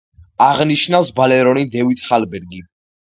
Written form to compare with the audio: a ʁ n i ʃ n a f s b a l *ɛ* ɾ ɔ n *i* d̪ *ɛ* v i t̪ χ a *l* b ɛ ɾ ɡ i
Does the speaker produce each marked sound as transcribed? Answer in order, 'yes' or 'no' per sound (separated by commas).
yes, yes, yes, yes